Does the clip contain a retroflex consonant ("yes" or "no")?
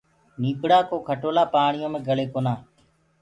yes